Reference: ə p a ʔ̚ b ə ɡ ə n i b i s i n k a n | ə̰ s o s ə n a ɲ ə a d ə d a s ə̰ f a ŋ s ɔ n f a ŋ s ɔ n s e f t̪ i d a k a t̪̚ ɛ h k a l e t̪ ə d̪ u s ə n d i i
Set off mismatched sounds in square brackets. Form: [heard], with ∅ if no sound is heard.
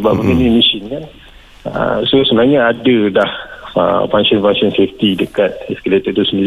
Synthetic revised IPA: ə [b] a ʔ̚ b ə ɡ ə n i [m] i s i n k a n | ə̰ s o s ə n a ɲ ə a d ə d a [h] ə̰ f a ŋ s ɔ n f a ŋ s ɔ n s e f t̪ i d [ə] k a t̪̚ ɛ [s] k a l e t̪ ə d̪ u s ə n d i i